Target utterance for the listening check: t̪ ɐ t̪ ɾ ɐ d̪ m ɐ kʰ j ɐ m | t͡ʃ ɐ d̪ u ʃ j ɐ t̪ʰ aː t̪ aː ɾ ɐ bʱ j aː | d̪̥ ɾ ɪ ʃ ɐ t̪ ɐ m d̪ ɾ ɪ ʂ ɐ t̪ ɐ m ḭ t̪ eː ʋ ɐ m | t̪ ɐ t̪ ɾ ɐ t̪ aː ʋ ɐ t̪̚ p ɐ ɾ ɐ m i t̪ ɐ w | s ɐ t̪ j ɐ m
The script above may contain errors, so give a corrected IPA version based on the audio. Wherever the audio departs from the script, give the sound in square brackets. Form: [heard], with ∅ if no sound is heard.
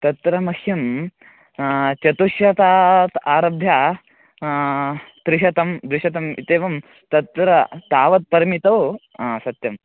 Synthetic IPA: t̪ ɐ t̪ ɾ ɐ [∅] m ɐ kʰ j ɐ m | t͡ʃ ɐ [t̪] u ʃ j ɐ [t̪] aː t̪ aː ɾ ɐ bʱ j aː | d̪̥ ɾ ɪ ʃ ɐ t̪ ɐ m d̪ ɾ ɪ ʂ ɐ t̪ ɐ m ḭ t̪ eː ʋ ɐ m | t̪ ɐ t̪ ɾ ɐ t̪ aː ʋ ɐ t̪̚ p ɐ ɾ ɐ m i t̪ ɐ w | s ɐ t̪ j ɐ m